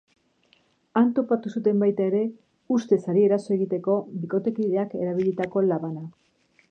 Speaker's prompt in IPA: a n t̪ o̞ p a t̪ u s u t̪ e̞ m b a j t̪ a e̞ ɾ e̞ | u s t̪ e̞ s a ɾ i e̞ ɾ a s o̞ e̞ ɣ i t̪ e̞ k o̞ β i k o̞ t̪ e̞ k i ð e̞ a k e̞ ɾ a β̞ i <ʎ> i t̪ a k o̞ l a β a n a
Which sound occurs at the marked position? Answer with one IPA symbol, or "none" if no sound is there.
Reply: ʎ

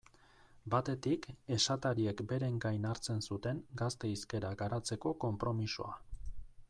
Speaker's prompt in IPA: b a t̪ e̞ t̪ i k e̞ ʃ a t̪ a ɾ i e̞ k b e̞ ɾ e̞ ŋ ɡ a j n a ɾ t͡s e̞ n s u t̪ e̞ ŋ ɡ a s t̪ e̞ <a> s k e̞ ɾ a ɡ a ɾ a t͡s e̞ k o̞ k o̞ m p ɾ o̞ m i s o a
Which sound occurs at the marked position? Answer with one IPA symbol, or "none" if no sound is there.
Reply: i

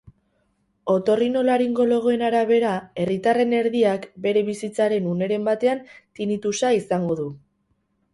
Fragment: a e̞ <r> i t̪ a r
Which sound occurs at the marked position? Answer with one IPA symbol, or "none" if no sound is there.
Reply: r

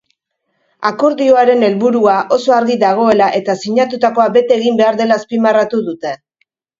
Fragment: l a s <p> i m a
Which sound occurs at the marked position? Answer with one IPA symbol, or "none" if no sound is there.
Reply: p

